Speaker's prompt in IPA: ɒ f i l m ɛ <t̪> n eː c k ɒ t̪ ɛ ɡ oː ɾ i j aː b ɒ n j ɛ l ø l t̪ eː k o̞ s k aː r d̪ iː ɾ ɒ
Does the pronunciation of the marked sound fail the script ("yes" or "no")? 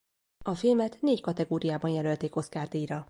no